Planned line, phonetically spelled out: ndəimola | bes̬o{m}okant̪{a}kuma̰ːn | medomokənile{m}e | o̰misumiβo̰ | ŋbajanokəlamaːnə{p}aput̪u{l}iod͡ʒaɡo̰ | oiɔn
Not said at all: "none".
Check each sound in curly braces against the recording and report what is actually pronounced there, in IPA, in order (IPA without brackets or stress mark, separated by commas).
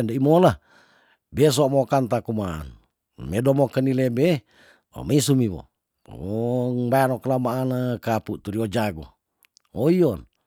m, a, b, k, ɾ